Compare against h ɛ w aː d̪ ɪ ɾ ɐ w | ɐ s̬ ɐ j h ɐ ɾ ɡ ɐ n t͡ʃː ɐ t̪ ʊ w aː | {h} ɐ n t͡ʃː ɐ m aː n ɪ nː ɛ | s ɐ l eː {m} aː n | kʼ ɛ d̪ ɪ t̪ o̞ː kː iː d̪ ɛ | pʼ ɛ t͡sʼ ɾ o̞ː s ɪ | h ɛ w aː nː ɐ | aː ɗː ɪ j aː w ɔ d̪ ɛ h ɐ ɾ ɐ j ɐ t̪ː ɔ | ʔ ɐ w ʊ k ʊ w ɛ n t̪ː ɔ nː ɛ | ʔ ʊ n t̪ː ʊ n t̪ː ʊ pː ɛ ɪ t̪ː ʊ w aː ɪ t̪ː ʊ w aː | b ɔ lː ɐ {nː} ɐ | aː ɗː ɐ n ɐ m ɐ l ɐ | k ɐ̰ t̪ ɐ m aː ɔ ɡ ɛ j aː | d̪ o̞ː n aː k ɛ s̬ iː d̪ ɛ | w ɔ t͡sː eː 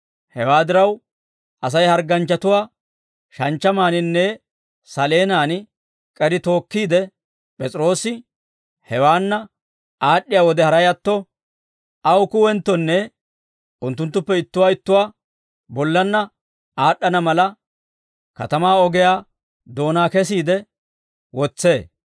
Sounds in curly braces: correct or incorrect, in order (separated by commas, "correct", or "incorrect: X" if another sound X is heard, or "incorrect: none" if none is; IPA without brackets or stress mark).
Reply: incorrect: ʃ, incorrect: n, correct